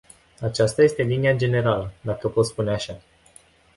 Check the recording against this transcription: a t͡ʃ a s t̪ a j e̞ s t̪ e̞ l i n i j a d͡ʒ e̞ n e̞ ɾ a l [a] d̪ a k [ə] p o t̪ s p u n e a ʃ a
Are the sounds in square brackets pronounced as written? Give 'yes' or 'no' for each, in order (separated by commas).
no, yes